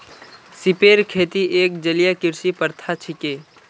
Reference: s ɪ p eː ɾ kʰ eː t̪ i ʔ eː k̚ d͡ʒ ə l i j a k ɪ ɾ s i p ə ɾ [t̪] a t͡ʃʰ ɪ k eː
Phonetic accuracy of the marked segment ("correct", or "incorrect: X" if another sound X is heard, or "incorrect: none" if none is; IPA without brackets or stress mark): incorrect: t̪ʰ